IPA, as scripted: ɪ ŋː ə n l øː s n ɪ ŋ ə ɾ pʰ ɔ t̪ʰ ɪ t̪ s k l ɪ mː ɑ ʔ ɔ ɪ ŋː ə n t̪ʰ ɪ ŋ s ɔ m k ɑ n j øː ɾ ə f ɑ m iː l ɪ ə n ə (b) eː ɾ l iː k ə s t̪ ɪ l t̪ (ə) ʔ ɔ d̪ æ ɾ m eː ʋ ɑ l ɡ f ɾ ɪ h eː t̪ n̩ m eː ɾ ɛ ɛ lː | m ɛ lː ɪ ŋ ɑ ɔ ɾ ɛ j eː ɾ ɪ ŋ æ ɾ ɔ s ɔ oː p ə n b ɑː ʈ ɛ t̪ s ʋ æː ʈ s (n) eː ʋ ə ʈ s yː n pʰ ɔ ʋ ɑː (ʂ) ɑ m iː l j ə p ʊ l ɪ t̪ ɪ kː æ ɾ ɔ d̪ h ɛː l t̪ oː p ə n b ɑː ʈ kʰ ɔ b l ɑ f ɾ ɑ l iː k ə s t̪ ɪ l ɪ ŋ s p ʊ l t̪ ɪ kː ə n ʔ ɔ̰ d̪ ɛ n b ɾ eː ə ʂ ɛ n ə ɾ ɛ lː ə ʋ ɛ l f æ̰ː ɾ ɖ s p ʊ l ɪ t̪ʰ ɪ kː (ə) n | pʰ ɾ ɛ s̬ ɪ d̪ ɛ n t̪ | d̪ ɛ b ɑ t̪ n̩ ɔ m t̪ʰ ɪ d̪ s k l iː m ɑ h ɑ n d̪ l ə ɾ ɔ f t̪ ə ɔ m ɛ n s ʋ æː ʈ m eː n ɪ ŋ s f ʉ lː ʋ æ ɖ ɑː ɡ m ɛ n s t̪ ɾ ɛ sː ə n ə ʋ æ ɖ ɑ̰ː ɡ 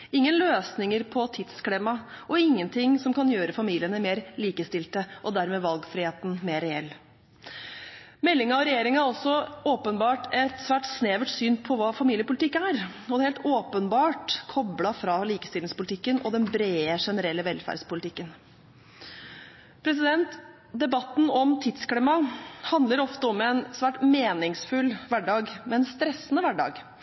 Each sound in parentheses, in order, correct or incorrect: incorrect, correct, correct, incorrect, correct

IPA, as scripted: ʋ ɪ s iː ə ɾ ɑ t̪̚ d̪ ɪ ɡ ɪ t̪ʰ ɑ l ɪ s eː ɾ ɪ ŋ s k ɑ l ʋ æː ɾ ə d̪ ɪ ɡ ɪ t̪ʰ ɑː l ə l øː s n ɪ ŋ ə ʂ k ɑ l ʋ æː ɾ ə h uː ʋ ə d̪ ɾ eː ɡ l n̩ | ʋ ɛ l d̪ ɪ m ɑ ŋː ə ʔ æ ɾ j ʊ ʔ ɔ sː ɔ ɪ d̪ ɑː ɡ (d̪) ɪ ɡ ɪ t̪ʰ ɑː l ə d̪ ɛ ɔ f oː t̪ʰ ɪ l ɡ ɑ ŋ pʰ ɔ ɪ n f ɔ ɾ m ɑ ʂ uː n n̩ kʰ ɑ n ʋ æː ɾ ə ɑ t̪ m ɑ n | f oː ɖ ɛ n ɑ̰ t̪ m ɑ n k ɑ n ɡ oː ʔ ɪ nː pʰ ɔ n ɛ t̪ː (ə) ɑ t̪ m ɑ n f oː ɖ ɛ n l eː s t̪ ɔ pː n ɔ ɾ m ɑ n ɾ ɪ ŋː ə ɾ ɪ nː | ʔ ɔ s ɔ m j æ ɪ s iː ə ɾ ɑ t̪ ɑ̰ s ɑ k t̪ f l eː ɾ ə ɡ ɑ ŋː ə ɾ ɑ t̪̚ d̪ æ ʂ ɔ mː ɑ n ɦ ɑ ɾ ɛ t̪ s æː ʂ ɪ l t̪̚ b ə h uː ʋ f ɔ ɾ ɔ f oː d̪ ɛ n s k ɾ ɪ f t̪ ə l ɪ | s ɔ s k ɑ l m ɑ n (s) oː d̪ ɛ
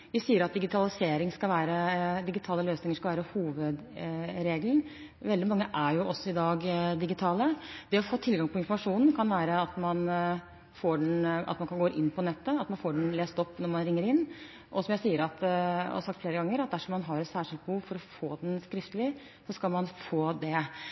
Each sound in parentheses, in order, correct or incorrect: correct, correct, incorrect

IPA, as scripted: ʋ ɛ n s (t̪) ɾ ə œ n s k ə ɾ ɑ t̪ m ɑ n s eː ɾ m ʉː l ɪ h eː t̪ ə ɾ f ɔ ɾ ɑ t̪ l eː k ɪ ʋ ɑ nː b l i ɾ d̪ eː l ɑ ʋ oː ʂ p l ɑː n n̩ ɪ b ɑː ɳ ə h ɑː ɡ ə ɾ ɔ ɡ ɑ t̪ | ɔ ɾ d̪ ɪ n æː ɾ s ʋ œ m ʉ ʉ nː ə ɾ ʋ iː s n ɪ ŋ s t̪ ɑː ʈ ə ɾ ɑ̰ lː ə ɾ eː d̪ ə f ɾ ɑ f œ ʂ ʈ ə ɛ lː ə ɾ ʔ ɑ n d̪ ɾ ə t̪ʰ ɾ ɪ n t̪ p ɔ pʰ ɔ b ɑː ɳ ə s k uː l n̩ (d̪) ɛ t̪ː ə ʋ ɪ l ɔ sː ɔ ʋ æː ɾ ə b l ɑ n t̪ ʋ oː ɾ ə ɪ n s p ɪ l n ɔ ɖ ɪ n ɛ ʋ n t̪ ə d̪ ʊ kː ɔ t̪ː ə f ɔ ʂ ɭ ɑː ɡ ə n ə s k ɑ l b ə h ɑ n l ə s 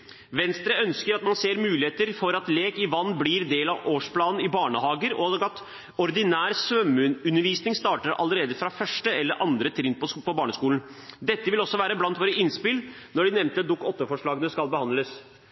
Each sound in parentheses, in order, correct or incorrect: correct, correct

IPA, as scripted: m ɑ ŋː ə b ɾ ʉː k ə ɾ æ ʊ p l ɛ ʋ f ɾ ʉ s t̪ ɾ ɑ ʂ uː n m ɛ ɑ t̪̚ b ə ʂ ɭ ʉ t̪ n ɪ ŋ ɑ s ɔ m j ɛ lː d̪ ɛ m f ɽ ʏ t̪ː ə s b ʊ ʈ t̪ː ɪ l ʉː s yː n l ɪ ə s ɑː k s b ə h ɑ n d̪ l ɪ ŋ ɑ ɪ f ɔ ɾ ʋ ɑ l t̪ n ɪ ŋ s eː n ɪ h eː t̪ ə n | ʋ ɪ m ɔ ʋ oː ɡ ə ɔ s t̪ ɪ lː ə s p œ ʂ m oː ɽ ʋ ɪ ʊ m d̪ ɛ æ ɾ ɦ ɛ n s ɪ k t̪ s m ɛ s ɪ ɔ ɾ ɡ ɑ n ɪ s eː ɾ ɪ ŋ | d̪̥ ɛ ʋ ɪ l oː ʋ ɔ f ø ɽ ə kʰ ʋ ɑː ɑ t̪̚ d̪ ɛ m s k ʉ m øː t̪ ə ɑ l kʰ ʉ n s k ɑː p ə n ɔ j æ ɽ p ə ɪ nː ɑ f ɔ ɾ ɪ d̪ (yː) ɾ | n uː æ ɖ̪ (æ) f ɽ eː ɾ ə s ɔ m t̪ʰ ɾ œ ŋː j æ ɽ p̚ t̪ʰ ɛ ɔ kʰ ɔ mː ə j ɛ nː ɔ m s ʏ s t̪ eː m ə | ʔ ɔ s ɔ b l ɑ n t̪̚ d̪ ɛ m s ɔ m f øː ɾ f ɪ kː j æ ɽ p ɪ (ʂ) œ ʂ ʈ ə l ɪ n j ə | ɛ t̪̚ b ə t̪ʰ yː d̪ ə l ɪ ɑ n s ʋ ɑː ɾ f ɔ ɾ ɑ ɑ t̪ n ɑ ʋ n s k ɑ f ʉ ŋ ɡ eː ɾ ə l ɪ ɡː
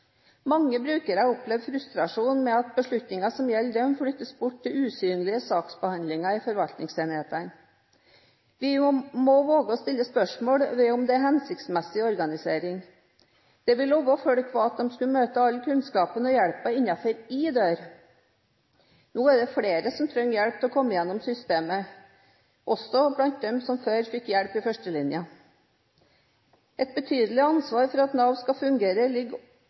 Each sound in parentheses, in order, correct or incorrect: incorrect, incorrect, incorrect

